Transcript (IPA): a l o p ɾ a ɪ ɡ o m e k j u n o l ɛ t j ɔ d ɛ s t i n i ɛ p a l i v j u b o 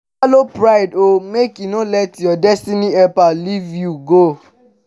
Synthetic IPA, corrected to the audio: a l o p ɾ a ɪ d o m e k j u n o l ɛ t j ɔ d ɛ s t i n i ɛ p a l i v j u ɡ o